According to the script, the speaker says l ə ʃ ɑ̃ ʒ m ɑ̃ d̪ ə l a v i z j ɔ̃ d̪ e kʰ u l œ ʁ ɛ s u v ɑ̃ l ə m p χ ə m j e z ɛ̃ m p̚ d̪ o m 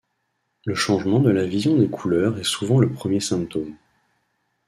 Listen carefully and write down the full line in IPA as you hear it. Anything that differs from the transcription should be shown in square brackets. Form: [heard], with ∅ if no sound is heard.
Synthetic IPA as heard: l ə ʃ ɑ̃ ʒ m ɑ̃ d̪ ə l a v i z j ɔ̃ d̪ e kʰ u l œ ʁ ɛ s u v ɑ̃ l ə [∅] p χ ə m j e [s] ɛ̃ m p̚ [t̪] o m